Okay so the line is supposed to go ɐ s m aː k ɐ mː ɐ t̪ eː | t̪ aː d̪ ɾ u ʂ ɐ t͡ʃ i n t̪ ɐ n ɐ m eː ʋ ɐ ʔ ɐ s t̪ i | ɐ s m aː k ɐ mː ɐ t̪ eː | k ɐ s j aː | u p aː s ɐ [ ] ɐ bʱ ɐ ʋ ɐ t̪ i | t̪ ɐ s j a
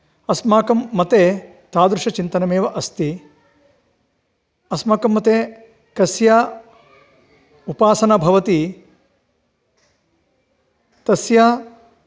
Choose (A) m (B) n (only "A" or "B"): B